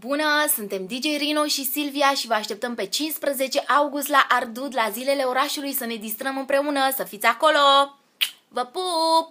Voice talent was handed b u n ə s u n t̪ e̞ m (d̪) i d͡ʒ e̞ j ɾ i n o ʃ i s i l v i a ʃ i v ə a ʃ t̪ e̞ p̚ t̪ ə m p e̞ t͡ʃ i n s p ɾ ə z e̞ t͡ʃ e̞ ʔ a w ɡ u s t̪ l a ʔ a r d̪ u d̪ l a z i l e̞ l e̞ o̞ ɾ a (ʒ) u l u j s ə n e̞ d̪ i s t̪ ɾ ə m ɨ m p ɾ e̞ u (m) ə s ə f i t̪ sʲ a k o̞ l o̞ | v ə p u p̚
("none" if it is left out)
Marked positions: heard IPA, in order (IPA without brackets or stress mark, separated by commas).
d̪, ʃ, n